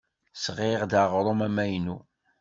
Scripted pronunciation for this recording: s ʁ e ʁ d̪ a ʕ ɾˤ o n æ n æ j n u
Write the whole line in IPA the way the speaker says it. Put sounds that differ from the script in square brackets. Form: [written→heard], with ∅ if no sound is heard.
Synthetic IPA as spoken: s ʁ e ʁ d̪ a [ʕ→ʁ] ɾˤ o [n→m] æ [n→m] æ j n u